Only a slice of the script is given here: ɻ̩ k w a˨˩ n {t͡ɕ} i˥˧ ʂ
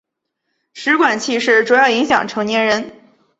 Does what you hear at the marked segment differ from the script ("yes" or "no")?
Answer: yes